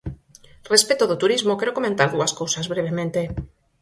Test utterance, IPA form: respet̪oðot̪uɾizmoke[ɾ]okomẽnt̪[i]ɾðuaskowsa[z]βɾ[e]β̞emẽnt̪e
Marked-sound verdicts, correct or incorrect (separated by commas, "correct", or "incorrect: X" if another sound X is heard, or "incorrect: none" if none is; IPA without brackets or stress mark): correct, incorrect: a, correct, correct